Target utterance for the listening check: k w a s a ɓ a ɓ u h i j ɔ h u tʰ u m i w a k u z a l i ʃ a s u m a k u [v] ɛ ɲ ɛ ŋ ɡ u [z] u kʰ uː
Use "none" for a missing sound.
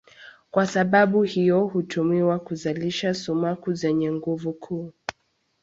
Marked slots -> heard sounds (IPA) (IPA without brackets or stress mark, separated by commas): z, v